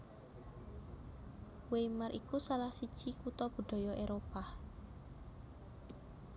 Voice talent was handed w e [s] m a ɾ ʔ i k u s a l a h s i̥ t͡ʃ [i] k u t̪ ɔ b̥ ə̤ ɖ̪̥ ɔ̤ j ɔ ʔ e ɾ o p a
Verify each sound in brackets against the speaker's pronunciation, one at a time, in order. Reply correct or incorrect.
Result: incorrect: none, correct

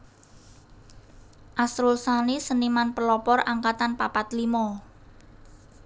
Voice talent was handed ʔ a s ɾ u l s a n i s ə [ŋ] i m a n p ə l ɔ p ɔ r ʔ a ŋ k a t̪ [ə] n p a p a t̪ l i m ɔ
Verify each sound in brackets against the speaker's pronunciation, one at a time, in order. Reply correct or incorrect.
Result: incorrect: n, incorrect: a

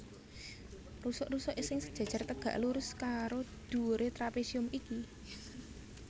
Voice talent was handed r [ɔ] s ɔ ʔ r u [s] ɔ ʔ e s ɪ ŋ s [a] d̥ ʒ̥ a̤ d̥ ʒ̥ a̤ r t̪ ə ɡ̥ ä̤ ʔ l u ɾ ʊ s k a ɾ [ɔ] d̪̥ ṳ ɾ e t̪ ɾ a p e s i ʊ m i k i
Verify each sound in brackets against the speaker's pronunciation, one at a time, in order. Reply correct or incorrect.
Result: incorrect: u, correct, incorrect: ə, incorrect: o

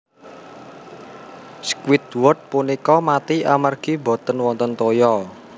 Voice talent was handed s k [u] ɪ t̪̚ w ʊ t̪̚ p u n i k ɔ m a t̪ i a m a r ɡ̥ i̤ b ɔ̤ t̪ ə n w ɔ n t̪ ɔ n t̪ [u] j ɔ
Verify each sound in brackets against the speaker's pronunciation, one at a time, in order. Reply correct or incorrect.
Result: incorrect: w, incorrect: o

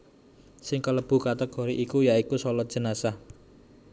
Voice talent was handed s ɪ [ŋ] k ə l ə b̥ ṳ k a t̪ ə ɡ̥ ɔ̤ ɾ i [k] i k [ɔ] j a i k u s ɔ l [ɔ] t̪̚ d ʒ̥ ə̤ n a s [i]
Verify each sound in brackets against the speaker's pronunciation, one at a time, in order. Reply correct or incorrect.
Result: correct, incorrect: ʔ, incorrect: u, correct, incorrect: a

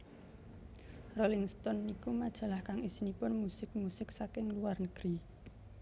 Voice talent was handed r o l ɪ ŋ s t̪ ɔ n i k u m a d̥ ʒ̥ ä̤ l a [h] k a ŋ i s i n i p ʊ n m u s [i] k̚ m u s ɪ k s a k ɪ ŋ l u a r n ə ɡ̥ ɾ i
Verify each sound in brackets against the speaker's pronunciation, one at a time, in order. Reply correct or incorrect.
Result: correct, incorrect: ɪ

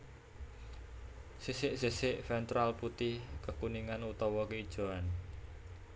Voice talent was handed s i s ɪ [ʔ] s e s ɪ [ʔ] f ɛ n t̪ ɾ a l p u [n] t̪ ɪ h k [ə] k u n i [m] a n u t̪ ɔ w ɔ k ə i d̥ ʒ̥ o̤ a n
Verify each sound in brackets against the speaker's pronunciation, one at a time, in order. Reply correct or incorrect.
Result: correct, correct, incorrect: none, correct, incorrect: ŋ

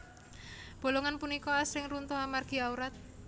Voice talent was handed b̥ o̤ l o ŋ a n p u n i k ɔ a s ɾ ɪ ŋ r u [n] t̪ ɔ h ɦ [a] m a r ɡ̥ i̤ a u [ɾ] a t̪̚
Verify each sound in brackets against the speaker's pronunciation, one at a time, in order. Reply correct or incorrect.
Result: correct, correct, correct

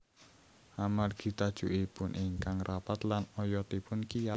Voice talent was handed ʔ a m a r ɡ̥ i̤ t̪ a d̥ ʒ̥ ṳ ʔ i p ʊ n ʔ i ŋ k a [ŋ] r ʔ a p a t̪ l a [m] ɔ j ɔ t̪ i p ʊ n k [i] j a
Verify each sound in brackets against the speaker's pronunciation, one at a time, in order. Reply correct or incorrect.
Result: correct, incorrect: n, correct

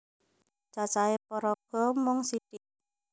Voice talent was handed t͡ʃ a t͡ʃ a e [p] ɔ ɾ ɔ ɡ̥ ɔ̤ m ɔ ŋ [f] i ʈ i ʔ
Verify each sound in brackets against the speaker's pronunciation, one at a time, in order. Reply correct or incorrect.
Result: correct, incorrect: s

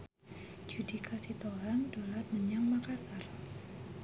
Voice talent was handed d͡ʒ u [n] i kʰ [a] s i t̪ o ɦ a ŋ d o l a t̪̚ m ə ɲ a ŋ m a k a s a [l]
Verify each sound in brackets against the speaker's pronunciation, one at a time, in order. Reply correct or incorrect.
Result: incorrect: d, correct, incorrect: r

